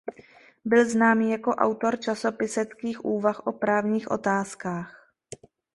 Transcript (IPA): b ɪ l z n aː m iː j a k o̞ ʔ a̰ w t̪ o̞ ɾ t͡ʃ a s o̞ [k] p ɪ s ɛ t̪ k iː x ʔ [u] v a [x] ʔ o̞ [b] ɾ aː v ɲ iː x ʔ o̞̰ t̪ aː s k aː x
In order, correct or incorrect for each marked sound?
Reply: incorrect, incorrect, correct, incorrect

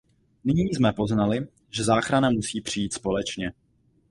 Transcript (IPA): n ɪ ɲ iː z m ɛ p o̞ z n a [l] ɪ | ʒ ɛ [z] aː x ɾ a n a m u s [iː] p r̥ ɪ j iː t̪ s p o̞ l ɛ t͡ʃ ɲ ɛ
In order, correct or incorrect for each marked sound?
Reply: correct, correct, correct

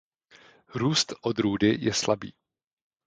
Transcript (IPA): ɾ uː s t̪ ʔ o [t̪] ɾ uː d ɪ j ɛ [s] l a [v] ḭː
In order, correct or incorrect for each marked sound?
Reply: incorrect, correct, incorrect

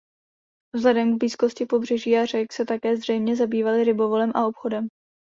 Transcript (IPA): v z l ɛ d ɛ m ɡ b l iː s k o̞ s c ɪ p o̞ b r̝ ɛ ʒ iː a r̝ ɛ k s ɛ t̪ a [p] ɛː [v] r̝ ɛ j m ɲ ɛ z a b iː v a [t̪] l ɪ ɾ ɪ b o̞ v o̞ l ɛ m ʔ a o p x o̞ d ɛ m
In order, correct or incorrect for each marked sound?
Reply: incorrect, incorrect, incorrect

